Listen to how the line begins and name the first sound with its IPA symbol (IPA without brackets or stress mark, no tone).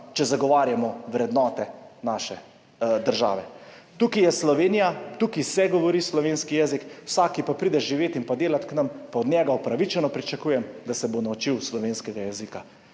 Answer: t͡ʃ